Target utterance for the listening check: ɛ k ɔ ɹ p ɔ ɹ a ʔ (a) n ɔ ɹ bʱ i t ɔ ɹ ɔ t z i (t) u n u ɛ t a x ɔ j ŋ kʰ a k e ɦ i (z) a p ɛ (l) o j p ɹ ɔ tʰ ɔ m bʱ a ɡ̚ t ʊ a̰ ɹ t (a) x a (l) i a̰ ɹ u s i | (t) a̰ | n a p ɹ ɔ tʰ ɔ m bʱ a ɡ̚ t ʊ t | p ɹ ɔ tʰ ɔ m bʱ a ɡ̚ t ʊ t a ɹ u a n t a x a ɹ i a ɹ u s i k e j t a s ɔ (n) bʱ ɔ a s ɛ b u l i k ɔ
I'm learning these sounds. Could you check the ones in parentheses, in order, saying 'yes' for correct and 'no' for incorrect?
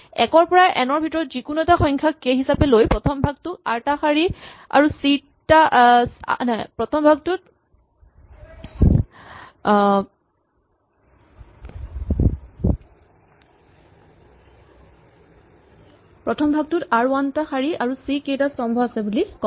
no, no, no, yes, yes, no, yes, no

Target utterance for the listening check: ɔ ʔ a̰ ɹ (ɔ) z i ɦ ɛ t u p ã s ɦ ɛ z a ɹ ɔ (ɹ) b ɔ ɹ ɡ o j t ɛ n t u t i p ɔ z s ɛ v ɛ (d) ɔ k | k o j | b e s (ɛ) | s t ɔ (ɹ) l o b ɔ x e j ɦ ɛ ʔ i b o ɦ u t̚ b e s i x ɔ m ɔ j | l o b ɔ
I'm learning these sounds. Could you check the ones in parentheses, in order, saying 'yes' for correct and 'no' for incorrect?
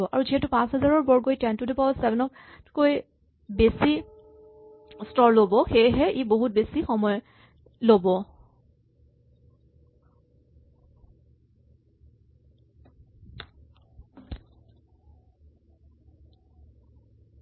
no, yes, no, no, yes

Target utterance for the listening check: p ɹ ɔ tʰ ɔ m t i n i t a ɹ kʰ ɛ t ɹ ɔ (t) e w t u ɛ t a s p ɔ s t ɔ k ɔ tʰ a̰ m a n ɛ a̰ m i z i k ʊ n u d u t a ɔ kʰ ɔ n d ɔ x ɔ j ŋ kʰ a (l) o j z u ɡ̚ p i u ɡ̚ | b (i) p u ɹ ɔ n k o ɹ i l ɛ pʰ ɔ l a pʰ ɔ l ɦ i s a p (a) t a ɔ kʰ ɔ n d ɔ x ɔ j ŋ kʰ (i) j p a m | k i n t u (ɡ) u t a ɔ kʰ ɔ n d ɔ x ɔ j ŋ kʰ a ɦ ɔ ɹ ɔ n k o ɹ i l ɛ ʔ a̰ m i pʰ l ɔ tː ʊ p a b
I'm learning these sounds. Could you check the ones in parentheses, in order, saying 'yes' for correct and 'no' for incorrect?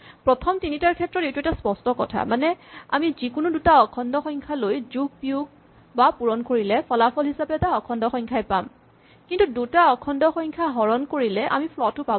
yes, yes, no, no, no, no

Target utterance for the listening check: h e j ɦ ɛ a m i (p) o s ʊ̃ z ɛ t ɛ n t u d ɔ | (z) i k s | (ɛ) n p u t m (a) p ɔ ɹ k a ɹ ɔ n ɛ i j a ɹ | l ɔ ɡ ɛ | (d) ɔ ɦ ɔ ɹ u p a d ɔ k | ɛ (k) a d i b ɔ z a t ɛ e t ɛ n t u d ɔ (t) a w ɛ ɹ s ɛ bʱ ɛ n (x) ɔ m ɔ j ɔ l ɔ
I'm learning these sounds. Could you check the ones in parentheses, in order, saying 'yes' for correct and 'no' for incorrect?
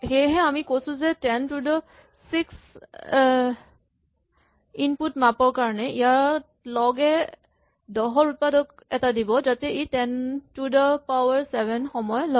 no, no, no, yes, yes, no, no, yes

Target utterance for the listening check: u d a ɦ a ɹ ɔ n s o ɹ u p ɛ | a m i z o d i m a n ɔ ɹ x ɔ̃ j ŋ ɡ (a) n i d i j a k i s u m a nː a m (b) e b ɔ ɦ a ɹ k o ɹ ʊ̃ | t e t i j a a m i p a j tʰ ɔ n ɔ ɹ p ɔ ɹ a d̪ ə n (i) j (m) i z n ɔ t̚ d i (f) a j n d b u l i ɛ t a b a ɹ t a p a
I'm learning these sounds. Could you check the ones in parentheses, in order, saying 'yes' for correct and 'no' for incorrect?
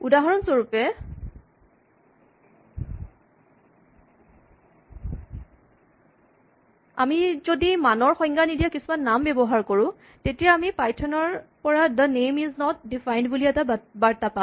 yes, yes, no, yes, yes

